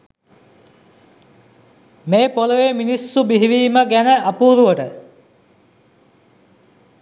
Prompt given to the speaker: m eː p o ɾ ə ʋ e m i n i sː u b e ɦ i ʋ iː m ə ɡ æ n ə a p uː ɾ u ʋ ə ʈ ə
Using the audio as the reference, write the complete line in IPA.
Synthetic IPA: m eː p o l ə ʋ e m i n i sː u b i ɦ i ʋ iː m ə ɡ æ n ə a p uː ɾ u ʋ ə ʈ ə

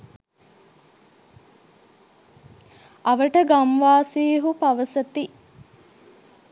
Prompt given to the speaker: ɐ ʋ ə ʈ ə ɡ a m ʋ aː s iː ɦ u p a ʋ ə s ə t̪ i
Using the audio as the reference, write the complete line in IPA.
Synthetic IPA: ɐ ʋ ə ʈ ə ɡ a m ʋ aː s iː ɦ u p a ʋ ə s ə t̪ i

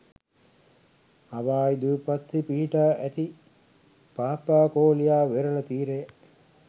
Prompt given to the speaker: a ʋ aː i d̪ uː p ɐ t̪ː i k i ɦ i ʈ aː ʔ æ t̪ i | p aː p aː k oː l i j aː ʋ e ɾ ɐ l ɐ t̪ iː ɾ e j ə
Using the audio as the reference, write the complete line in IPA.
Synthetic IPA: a ʋ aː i d̪ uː p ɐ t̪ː i p i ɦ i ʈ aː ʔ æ t̪ i | p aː p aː k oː l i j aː ʋ e ɾ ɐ l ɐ t̪ iː ɾ e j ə

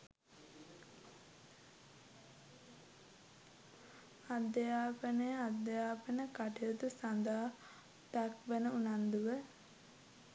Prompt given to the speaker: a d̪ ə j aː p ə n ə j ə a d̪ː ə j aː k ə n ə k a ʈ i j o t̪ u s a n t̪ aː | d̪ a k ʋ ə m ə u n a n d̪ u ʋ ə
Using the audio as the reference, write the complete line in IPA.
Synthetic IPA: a d̪ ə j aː p ə n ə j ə a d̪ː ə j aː p ə n ə k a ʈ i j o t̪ u s a n d̪ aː | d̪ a k ʋ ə n ə u n a n d̪ u ʋ ə

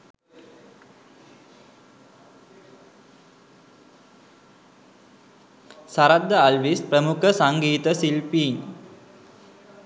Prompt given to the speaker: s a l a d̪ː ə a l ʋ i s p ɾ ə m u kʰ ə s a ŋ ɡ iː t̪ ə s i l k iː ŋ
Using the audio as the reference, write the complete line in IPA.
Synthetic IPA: s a ɾ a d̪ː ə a l ʋ i s p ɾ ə m u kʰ ə s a ŋ ɡ iː t̪ ə s i l p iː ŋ

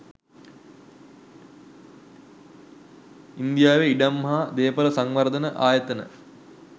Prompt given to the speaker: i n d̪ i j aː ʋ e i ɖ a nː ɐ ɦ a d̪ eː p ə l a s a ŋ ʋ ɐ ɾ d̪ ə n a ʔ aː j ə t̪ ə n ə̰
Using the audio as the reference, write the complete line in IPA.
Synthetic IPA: i n d̪ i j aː ʋ e i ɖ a mː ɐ ɦ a d̪ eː p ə l ə s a ŋ ʋ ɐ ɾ d̪ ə n ə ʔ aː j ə t̪ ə n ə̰

